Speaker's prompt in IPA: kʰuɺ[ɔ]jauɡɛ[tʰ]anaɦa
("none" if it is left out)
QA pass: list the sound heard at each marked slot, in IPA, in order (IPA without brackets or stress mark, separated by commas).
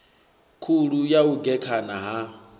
u, kʰ